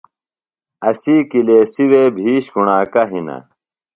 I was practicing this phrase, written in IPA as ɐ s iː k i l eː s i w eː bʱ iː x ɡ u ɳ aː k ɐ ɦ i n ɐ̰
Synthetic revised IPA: ɐ s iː k i l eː s i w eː bʱ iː ɕ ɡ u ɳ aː k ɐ ɦ i n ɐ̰